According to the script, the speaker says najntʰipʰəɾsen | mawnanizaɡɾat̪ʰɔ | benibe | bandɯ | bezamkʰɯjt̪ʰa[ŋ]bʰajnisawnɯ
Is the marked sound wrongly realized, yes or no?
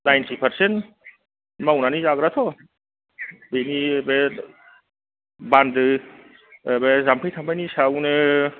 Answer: yes